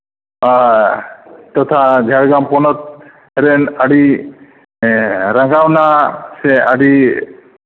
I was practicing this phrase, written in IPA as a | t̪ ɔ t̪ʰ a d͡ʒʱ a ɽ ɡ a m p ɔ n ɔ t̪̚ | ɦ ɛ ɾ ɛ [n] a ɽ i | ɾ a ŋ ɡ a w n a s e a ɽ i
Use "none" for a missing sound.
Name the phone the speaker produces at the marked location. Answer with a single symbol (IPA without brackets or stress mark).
n